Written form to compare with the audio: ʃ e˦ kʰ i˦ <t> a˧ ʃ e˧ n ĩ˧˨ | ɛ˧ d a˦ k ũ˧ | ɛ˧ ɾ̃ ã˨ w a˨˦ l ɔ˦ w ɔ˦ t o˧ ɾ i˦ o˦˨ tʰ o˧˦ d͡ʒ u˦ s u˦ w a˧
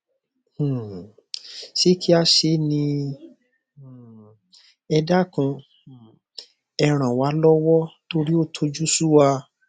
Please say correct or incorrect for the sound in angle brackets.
incorrect: none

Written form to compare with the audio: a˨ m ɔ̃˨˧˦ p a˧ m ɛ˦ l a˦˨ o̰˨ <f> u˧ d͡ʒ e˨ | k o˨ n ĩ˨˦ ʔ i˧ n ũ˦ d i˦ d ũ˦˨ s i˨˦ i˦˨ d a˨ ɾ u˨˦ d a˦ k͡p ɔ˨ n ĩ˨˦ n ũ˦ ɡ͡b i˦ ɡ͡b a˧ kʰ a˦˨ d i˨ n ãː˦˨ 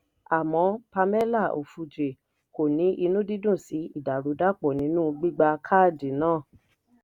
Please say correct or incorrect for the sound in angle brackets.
correct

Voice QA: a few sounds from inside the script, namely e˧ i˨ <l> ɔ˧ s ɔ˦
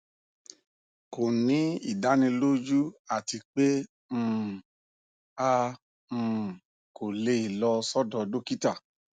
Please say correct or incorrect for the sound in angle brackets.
correct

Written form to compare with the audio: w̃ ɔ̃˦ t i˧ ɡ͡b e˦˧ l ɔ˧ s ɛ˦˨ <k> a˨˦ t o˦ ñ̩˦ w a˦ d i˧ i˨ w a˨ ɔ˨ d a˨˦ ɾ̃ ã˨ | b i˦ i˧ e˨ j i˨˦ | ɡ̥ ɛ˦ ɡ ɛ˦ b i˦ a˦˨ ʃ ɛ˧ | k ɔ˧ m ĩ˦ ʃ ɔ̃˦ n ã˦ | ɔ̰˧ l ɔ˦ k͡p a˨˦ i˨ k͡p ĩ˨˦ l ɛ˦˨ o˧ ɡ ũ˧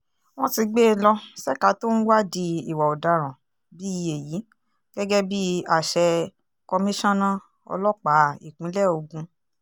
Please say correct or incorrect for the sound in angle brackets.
correct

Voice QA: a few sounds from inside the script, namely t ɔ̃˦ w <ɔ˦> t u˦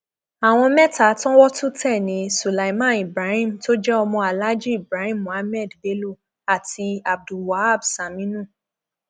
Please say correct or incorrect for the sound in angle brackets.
correct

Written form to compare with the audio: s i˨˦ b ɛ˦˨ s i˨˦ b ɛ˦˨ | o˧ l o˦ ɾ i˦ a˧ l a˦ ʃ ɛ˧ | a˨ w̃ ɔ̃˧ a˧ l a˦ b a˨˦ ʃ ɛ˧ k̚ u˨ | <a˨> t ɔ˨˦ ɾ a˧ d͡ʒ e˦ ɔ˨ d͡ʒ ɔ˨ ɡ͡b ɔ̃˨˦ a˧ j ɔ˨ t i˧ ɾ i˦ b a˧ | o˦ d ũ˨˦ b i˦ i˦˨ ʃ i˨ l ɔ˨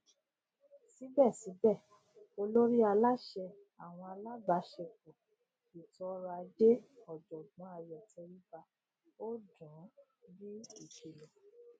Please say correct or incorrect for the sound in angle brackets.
incorrect: i˨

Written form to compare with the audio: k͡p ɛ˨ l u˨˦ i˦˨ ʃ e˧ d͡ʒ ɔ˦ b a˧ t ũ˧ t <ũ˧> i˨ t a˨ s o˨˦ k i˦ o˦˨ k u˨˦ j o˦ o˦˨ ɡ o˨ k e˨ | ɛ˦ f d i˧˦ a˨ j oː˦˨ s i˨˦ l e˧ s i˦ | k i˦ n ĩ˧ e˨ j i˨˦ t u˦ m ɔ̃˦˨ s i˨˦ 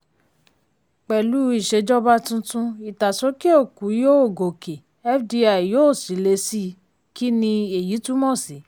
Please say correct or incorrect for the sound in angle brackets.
correct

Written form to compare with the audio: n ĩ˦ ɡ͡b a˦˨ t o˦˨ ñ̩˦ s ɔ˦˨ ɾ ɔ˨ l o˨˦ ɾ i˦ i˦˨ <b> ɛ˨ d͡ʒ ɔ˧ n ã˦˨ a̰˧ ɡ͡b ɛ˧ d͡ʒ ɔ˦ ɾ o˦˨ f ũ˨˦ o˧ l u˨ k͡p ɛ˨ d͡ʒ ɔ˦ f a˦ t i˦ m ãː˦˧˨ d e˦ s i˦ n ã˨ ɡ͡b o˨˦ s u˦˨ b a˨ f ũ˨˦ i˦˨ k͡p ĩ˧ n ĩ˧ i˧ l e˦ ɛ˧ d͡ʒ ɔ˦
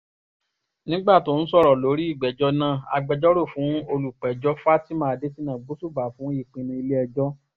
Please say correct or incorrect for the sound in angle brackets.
incorrect: ɡ͡b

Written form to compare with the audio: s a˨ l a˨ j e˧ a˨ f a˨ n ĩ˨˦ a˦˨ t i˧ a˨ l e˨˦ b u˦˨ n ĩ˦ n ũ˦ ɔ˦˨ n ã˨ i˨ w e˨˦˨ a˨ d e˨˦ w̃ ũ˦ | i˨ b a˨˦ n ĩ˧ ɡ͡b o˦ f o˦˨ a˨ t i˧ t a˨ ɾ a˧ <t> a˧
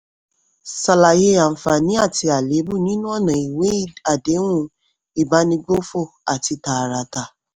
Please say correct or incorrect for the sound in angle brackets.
correct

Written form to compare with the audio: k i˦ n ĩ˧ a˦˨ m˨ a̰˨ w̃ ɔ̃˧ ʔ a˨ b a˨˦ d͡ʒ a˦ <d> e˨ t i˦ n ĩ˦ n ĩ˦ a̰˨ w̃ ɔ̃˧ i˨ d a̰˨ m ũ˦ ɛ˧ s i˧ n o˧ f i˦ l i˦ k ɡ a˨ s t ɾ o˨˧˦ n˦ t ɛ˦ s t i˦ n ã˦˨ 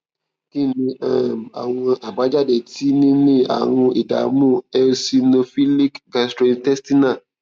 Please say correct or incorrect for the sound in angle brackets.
correct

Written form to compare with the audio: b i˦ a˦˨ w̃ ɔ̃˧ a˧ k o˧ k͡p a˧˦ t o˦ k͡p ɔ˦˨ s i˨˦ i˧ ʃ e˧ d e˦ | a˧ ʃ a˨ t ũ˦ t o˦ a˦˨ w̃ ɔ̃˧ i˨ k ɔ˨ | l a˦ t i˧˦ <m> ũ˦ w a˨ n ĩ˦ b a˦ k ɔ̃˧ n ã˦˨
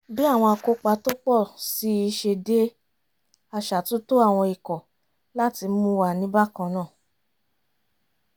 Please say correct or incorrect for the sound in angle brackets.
correct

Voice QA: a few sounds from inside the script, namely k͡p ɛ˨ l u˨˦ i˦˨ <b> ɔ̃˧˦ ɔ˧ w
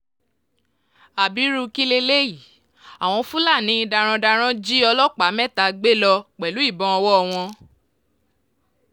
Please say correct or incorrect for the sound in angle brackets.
correct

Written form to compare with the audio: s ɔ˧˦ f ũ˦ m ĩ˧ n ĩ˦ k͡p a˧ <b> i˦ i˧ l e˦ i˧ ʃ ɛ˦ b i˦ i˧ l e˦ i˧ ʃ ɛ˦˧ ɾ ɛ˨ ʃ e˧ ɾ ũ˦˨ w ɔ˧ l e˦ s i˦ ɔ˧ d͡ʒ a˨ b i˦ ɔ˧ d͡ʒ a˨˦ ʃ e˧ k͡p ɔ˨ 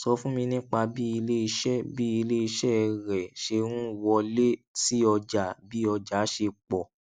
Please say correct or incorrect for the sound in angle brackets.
correct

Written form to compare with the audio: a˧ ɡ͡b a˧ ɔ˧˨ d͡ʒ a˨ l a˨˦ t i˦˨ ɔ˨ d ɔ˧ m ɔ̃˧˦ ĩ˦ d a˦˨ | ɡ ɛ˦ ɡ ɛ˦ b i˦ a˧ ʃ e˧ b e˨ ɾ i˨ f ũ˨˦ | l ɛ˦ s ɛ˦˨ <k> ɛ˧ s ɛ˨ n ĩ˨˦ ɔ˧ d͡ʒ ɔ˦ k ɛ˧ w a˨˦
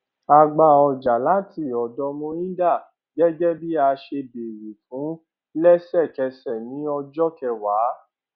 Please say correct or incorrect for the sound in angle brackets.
correct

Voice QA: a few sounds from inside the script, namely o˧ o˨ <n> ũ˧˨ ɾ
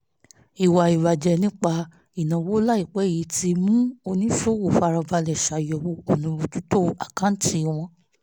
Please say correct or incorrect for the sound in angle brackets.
correct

